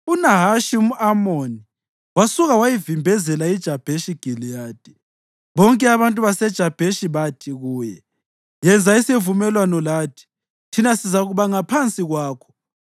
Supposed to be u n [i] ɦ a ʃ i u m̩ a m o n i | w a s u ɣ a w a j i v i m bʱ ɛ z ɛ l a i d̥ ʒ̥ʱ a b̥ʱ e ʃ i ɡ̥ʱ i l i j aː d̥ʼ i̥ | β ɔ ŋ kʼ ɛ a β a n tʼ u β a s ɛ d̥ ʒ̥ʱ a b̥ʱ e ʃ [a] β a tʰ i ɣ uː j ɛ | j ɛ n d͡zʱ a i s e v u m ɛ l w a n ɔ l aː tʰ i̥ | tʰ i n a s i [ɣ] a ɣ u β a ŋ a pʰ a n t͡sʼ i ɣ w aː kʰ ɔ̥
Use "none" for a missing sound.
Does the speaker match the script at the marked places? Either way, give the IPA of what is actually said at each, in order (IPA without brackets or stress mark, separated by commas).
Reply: a, i, z